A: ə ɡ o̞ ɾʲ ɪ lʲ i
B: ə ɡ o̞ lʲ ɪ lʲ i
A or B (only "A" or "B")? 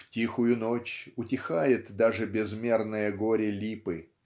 A